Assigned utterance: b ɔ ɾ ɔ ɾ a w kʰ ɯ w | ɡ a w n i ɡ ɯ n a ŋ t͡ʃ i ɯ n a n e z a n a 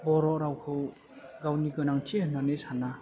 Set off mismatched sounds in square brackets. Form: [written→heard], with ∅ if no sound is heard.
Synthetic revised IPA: b ɔ ɾ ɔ ɾ a w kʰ ɯ w | ɡ a w n i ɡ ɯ n a ŋ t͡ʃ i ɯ n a n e [z→s] a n a